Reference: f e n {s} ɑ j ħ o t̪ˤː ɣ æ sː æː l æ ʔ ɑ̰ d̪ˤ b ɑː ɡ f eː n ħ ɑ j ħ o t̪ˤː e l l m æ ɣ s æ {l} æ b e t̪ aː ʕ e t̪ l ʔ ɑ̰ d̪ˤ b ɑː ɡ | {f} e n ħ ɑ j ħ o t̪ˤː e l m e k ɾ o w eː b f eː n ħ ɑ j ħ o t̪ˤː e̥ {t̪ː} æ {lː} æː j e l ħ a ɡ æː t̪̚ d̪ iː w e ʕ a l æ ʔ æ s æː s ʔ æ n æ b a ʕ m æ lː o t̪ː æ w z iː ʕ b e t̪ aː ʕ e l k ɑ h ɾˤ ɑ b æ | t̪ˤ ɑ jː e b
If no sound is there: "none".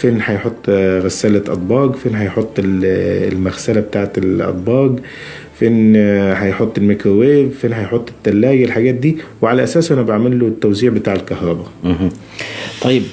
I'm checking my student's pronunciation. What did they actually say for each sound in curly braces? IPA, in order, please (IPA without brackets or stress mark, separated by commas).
ħ, l, f, t̪ː, lː